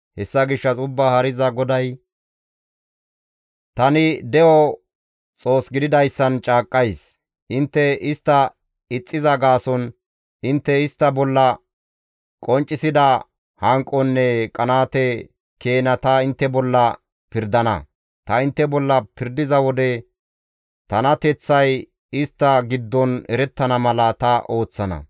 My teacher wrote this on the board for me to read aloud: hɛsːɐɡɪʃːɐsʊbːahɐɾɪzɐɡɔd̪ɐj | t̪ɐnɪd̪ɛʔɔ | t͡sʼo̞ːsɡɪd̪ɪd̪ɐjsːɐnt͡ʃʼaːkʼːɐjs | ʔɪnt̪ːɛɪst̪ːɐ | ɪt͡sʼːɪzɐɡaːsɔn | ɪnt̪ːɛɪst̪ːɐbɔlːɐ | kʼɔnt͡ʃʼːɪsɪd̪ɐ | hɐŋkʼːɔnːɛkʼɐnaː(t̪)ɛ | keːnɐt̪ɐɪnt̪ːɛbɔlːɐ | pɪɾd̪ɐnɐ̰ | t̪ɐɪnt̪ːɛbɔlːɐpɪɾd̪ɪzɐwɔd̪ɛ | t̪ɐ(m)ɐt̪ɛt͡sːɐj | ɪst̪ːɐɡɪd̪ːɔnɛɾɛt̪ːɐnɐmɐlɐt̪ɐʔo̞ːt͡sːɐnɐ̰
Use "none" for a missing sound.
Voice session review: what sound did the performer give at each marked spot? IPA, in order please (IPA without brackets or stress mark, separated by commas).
t̪, n